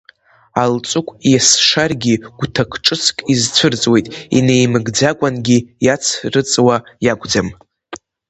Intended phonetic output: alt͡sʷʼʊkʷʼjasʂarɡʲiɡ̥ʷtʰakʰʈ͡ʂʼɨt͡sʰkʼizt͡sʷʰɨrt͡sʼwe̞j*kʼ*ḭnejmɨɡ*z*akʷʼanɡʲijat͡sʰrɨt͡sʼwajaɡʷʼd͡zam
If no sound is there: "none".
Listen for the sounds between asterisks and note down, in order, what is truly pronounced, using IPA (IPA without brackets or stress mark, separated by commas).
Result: tʼ, d͡z